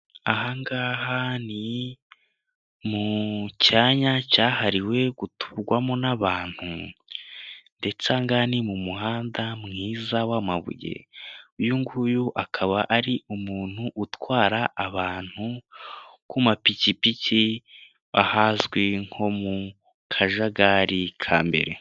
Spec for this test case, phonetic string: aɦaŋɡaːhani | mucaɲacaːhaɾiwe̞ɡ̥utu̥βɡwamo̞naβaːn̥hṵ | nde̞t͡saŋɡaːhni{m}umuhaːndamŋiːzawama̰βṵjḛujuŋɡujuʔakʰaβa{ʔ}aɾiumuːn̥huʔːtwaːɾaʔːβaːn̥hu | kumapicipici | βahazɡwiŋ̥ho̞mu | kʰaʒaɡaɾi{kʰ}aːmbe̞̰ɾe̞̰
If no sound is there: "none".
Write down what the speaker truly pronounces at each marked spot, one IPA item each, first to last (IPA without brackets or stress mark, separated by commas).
m, ʔ, kʰ